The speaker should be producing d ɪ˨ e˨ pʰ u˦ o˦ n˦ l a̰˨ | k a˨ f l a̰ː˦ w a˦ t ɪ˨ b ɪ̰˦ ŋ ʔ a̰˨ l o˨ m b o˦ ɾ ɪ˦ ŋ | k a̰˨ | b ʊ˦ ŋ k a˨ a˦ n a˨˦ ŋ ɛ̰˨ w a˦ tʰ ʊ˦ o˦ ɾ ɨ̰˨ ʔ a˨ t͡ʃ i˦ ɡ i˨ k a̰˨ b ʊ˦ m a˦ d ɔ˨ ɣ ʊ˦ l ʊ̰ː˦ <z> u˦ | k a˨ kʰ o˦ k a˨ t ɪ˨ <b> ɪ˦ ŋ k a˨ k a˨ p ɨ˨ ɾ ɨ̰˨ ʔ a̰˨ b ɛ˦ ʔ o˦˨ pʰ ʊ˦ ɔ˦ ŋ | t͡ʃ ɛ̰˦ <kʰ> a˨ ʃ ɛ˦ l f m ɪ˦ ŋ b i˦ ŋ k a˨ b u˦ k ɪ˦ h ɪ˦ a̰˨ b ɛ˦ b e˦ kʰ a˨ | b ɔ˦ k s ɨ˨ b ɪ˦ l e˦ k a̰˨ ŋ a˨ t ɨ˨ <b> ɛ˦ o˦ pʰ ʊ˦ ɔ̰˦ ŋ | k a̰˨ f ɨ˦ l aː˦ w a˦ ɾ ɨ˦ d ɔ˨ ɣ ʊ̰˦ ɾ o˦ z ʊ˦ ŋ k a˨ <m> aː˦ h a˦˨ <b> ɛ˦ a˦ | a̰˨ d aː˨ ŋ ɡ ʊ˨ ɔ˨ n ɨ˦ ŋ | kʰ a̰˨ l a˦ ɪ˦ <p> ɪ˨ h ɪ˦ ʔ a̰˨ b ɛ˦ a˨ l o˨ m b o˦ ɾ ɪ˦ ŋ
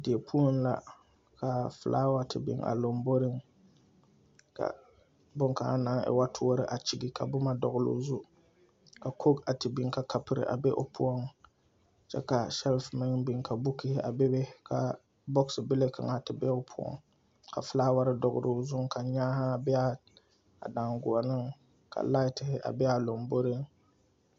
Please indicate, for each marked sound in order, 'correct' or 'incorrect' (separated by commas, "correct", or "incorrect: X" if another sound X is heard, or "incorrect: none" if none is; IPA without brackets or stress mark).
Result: correct, correct, incorrect: k, correct, incorrect: ɲ, correct, incorrect: t